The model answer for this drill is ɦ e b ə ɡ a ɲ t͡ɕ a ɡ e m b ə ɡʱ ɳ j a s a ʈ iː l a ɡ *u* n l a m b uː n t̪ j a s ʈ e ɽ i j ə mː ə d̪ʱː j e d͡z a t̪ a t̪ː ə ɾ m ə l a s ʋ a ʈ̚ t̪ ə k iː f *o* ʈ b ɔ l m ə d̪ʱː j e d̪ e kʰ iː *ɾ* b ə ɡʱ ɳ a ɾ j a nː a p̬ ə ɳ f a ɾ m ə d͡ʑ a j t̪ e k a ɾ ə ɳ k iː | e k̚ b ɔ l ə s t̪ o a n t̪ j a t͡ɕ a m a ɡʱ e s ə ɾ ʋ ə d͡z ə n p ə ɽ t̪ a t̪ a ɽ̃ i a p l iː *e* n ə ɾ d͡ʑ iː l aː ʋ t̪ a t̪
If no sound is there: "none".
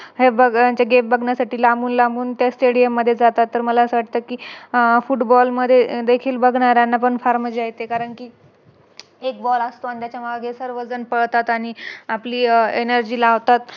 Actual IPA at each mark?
uː, u, l, e

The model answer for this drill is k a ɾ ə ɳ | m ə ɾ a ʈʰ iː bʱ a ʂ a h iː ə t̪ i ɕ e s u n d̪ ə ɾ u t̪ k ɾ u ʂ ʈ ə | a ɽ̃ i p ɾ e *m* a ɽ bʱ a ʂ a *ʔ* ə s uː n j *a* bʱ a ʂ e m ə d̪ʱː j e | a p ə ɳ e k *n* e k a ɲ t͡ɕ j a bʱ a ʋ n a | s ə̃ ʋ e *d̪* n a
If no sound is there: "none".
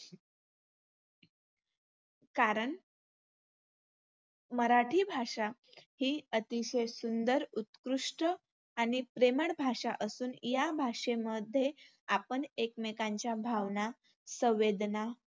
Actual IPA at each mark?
m, ʔ, a, m, d̪

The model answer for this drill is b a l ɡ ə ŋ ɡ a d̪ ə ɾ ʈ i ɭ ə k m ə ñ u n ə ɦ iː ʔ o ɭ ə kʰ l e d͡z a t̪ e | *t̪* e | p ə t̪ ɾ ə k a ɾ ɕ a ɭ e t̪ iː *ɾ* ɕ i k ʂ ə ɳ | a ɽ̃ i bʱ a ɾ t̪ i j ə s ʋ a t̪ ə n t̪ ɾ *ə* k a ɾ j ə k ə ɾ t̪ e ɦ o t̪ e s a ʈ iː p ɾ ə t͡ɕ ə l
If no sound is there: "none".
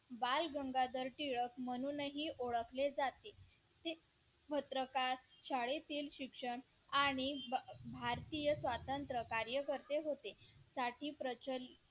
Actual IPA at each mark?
t̪, l, ə

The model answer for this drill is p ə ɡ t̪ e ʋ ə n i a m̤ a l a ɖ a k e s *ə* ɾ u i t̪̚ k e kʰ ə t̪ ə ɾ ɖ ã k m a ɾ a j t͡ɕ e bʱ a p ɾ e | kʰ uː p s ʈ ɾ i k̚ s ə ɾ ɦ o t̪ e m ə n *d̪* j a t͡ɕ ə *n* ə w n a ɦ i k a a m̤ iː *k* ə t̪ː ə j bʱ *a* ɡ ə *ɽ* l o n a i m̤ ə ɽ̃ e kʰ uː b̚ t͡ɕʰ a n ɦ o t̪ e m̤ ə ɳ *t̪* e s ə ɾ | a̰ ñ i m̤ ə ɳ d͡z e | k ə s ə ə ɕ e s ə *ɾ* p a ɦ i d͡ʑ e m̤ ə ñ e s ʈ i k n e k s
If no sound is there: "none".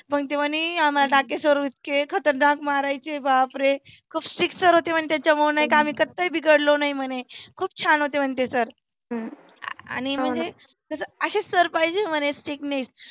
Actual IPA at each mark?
ə, t̪, m, k, i, ɽ, t̪, ɾ

